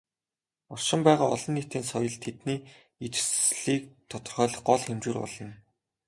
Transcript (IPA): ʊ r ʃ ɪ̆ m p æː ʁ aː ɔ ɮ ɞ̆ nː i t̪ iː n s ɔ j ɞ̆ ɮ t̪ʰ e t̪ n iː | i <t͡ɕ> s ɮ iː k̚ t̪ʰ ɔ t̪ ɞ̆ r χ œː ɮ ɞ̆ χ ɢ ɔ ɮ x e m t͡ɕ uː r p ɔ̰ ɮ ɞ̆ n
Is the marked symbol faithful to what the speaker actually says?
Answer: yes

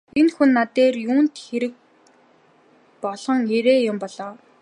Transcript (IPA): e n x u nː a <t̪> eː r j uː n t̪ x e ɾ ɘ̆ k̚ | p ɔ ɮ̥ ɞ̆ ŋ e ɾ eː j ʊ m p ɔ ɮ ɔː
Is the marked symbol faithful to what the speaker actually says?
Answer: yes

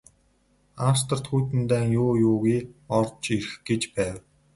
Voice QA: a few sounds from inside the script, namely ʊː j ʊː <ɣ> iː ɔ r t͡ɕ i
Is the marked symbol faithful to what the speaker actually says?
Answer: yes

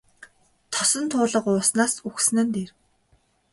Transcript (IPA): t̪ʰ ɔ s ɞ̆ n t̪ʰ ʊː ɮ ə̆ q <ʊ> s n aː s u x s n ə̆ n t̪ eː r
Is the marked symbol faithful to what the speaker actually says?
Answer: no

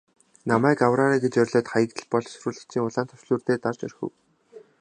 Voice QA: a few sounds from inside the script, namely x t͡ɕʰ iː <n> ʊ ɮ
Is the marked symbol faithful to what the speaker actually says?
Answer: no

